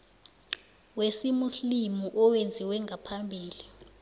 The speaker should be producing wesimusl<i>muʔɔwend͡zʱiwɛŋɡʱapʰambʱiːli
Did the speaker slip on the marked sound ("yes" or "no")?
no